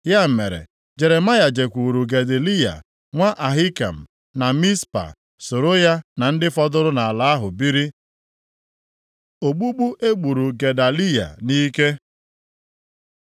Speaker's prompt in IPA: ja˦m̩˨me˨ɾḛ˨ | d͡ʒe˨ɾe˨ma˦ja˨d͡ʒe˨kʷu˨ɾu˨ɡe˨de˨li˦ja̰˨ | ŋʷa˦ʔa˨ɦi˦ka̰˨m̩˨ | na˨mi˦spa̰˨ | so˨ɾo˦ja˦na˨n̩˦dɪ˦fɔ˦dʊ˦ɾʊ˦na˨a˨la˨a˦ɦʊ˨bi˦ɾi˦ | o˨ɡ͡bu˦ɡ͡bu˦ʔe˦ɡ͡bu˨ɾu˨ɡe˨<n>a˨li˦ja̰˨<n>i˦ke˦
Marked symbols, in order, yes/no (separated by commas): no, yes